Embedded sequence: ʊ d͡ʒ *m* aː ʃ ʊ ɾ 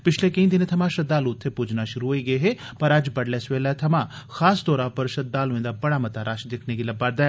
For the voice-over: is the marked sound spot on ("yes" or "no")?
no